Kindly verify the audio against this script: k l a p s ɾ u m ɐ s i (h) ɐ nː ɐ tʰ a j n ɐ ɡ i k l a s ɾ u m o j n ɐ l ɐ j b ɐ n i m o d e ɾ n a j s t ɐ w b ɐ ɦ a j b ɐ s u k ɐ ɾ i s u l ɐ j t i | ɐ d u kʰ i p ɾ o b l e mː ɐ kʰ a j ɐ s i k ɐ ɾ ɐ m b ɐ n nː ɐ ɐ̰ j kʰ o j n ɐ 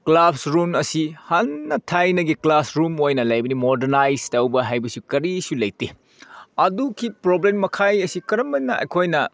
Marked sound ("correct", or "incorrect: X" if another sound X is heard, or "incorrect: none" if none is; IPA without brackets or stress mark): correct